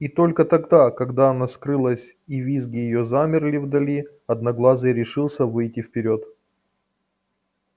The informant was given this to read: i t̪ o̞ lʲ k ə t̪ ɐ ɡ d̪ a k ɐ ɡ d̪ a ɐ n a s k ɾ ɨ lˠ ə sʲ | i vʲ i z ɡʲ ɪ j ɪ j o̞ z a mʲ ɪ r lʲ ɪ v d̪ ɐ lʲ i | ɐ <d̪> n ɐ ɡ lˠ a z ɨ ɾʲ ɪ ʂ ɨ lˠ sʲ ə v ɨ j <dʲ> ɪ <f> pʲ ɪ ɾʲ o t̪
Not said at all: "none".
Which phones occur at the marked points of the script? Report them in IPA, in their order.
d̪, tʲ, f

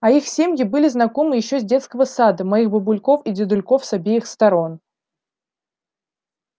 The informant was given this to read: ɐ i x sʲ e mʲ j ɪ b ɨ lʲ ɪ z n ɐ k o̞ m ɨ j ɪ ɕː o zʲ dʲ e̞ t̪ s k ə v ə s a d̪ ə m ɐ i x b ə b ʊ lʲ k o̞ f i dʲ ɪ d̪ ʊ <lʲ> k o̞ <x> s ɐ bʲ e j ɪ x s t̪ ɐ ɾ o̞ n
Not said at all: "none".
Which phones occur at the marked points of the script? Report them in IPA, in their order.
lʲ, f

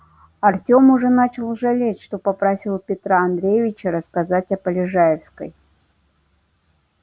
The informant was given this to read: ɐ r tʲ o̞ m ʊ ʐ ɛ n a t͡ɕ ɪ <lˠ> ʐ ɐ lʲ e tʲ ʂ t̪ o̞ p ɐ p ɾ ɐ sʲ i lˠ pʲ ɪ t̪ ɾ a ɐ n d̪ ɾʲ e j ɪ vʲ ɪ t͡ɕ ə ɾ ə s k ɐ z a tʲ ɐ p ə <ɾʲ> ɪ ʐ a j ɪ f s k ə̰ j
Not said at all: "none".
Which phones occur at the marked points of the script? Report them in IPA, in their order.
lˠ, lʲ

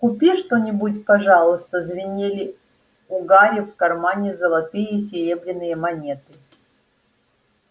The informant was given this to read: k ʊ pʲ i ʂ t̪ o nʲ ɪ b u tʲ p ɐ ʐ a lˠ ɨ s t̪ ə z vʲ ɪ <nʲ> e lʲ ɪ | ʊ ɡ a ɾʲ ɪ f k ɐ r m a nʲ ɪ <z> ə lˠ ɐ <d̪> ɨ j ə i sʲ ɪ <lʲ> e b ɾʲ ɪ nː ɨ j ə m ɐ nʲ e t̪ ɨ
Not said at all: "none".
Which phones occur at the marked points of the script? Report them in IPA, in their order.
nʲ, z, t̪, ɾʲ

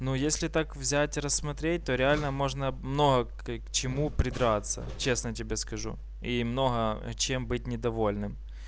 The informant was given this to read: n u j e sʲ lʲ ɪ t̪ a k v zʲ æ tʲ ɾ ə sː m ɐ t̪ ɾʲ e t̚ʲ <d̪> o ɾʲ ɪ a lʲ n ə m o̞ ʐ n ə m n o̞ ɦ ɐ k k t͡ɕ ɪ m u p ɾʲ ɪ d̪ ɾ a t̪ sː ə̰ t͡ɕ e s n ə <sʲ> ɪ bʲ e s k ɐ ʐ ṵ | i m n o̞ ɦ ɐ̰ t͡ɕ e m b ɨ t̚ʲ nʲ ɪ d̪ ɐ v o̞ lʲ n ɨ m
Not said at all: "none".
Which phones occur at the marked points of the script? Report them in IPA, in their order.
t̪, tʲ

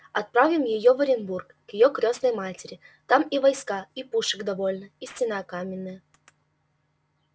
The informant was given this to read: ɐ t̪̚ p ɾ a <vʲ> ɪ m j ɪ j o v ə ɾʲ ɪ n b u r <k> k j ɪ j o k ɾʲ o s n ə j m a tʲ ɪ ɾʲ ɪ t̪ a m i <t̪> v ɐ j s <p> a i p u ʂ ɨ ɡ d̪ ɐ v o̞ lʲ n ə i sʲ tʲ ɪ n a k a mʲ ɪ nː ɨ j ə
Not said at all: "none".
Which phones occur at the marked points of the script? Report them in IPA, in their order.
vʲ, k, none, k

